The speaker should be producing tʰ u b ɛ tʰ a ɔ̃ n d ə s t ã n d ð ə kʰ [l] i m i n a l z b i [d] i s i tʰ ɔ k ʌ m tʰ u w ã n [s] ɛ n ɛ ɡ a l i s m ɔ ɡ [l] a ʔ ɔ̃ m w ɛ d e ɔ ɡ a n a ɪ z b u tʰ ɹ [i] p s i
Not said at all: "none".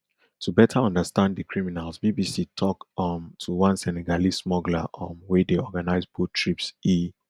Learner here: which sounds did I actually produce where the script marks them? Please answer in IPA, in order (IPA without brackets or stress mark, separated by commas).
ɹ, b, s, l, i